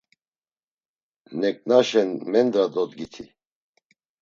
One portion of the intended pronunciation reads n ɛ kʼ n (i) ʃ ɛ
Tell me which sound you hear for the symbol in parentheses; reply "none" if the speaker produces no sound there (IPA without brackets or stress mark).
a